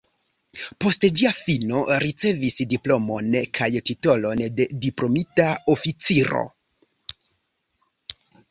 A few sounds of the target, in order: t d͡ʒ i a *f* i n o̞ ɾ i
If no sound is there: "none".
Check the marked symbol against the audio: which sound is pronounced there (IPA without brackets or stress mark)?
f